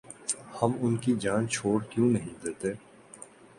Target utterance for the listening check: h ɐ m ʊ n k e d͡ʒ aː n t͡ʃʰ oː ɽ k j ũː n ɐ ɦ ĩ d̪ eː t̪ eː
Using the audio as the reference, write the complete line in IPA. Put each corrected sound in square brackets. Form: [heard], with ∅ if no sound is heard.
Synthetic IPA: h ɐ m ʊ n k [i] d͡ʒ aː n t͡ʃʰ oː ɽ k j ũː n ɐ ɦ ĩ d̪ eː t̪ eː